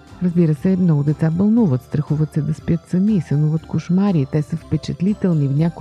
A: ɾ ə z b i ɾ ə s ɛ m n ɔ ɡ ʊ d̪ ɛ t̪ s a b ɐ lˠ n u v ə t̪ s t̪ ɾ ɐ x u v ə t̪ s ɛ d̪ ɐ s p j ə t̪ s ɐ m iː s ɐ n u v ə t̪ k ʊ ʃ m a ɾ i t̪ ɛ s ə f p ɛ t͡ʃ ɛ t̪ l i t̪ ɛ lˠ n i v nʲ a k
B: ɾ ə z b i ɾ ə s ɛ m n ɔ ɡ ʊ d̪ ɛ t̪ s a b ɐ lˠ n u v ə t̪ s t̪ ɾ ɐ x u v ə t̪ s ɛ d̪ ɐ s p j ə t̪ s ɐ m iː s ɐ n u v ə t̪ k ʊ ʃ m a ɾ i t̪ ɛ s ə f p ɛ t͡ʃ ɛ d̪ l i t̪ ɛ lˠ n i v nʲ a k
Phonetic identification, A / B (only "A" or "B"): A